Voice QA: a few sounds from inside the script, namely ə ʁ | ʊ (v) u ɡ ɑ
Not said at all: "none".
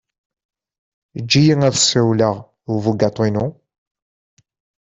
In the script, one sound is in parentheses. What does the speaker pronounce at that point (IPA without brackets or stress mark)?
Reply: v